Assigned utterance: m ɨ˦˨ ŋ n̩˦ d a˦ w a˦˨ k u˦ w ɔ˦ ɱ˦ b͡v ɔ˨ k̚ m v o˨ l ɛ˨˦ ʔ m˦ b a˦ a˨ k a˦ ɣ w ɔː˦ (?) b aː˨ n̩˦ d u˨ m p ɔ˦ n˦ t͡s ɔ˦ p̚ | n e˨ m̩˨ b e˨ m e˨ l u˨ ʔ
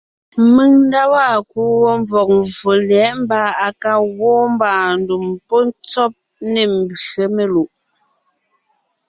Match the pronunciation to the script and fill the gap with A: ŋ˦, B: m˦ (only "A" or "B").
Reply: B